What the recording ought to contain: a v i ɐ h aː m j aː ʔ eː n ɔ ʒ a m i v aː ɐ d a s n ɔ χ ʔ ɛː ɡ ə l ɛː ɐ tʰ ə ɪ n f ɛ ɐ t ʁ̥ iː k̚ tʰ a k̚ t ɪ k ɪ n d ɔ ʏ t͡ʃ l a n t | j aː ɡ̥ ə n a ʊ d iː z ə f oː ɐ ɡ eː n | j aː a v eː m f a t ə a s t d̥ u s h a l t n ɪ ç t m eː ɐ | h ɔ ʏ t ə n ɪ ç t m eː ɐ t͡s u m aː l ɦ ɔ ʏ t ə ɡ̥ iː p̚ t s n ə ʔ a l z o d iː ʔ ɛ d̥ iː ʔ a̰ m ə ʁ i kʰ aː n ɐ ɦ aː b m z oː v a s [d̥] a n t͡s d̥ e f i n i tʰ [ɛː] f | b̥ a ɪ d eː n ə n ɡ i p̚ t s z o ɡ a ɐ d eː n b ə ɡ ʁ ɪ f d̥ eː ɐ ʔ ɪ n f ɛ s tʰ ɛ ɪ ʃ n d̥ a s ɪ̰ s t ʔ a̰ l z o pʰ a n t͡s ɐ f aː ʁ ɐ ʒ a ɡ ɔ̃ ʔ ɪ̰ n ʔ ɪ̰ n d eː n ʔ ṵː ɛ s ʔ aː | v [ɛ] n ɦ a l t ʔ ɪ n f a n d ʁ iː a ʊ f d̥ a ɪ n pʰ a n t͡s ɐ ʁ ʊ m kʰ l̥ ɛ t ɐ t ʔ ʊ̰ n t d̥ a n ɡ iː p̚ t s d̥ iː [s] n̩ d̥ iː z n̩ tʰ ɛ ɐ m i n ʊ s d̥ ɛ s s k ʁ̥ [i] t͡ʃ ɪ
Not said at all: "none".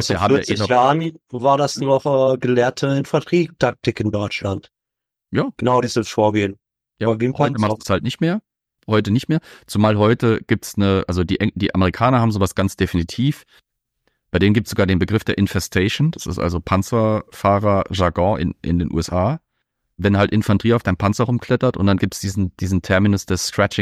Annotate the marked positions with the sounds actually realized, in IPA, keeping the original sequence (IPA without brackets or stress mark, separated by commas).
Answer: ɡ̥, iː, ɛ, z, ɛ